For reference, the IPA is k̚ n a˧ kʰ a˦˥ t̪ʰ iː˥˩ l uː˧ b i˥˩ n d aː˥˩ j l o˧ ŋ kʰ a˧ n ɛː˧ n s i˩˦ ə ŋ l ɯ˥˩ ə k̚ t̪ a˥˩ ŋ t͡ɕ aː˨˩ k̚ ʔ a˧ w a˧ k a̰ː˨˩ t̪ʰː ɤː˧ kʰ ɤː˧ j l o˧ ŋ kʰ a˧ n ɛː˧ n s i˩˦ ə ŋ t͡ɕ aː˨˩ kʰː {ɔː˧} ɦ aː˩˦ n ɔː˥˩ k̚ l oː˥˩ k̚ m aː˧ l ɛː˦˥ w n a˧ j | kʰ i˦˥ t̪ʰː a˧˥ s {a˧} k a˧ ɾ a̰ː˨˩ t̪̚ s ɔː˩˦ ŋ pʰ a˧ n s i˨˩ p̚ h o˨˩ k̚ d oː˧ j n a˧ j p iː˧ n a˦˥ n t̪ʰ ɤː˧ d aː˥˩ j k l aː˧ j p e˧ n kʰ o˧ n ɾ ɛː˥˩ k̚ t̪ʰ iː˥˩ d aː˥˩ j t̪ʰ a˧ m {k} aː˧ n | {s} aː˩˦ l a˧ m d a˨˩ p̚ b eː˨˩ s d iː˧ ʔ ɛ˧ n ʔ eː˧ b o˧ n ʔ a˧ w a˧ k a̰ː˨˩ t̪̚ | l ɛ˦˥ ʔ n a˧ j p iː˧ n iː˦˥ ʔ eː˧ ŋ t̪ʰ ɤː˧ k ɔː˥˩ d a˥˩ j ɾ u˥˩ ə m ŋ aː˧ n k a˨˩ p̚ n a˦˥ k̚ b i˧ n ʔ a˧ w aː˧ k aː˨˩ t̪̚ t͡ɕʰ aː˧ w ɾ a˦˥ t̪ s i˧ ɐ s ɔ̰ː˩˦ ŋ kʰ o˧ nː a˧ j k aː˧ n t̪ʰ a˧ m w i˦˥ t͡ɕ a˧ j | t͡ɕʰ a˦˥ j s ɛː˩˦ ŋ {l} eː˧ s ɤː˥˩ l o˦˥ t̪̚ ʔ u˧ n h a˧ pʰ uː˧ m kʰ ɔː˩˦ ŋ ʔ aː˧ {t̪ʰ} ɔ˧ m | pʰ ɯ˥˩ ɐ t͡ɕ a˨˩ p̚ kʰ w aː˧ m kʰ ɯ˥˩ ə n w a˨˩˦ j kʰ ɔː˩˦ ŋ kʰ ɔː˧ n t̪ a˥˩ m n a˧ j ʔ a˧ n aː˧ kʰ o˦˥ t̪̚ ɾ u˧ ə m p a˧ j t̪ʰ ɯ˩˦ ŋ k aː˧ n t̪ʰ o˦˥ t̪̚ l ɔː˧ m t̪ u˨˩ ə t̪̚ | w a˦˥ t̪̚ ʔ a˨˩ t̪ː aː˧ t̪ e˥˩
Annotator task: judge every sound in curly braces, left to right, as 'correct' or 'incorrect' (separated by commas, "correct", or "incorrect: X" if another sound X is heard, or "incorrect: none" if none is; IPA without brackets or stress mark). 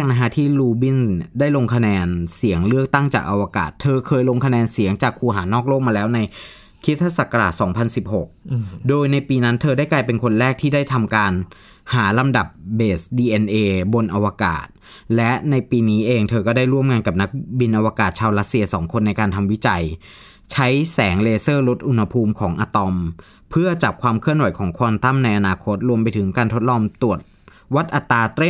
incorrect: uː˧, incorrect: a˨˩, correct, incorrect: h, correct, incorrect: t̪